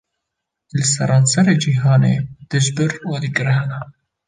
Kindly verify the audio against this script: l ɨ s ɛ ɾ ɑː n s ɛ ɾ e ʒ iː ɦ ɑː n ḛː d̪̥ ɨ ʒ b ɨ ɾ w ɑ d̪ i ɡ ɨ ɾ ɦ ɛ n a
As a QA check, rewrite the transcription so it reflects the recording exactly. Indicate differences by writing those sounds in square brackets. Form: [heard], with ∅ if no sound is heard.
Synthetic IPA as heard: l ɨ s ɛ ɾ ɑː n s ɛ ɾ e [d͡ʒ] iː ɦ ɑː n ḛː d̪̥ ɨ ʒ b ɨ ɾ w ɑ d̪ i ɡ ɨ ɾ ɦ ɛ n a